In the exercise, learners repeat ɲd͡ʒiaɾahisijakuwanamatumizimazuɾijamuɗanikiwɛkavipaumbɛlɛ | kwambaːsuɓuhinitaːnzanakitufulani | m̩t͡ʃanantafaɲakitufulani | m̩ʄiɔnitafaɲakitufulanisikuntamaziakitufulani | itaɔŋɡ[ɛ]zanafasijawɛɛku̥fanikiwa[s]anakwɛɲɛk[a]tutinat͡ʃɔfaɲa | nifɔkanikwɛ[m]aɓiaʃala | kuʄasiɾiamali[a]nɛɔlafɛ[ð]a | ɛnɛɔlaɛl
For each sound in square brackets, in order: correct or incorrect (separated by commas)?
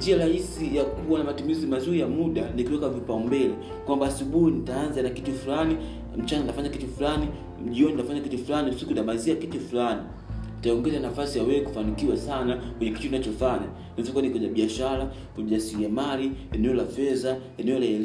correct, correct, incorrect, incorrect, incorrect, incorrect